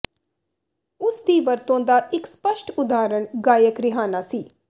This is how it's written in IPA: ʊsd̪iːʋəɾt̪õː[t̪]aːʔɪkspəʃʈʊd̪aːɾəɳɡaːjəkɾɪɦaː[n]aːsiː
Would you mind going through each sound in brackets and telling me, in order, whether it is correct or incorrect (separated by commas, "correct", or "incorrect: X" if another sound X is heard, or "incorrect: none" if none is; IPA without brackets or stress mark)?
incorrect: d̪, correct